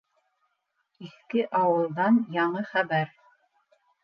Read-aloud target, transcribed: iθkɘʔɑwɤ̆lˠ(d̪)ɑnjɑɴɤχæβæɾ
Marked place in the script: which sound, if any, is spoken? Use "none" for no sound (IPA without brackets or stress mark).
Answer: d̪